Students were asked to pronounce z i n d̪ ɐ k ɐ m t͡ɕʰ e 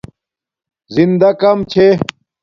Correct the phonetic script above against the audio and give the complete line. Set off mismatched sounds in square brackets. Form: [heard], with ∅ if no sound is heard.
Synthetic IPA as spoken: z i n d̪ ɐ k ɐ m t͡ɕʰ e

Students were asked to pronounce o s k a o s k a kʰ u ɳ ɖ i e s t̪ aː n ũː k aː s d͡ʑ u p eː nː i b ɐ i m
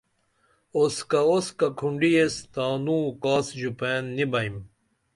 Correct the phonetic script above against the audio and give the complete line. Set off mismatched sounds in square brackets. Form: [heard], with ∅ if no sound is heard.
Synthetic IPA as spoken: o s k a o s k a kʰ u ɳ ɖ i e s t̪ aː n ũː k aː s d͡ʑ u p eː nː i b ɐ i m

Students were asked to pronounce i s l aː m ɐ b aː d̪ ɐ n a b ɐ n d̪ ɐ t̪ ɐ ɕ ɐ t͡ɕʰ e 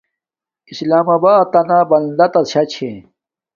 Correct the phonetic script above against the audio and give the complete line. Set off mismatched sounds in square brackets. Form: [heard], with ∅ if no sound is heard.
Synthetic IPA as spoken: i s l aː m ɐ b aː [t̪] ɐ n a b ɐ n d̪ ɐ t̪ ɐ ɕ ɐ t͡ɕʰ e

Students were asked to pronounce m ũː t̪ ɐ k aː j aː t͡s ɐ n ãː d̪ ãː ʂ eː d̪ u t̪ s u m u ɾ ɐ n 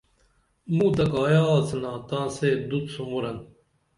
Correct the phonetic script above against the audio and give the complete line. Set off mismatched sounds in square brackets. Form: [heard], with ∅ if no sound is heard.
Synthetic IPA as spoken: m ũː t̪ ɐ k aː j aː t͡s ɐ n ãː [t̪] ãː [s] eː d̪ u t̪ s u m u ɾ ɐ n

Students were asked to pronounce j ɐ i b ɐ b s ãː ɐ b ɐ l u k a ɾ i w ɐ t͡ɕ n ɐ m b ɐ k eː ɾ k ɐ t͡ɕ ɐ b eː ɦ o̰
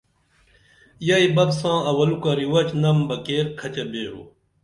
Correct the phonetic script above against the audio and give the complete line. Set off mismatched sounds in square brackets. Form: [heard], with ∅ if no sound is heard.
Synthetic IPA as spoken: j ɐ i b ɐ b s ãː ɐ [w] ɐ l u k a ɾ i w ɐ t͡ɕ n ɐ m b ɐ k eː ɾ [kʰ] ɐ t͡ɕ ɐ b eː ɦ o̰

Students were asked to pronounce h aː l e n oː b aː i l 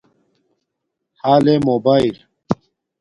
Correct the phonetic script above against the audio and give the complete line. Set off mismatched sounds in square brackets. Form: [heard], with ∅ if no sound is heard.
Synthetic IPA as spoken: h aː l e [m] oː b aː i l

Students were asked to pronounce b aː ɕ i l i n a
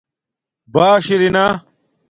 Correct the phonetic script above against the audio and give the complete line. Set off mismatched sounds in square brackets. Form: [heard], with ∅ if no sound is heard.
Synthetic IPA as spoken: b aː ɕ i [ɾ] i n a

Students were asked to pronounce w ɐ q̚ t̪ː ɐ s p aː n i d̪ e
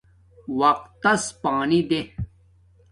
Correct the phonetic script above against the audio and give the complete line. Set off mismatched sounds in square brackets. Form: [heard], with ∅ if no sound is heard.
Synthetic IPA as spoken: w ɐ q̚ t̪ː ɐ s p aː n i d̪ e

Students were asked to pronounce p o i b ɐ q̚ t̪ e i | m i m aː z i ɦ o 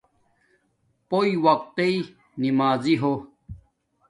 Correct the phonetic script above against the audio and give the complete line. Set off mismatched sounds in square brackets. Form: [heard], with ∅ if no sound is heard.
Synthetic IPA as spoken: p o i [w] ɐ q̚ t̪ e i | [n] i m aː z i ɦ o

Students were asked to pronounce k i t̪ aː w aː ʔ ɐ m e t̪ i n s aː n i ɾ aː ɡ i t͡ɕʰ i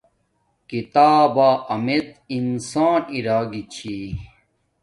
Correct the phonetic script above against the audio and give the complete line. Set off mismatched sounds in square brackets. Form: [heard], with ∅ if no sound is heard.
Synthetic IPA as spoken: k i t̪ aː [b] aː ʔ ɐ m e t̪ i n s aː n i ɾ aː ɡ i t͡ɕʰ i

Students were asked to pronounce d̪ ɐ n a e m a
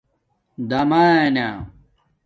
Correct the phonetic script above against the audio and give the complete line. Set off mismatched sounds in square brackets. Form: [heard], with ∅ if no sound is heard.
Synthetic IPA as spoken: d̪ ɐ [m] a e [n] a

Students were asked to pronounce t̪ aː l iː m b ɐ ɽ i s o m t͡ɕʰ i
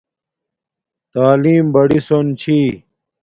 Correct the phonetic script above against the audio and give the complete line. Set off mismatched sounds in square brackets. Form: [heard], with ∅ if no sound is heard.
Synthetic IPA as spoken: t̪ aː l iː m b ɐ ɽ i s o [n] t͡ɕʰ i

